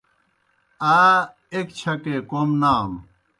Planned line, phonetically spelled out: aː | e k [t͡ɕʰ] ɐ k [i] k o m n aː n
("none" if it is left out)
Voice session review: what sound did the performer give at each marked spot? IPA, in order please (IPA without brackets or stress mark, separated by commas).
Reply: t͡ɕʰ, e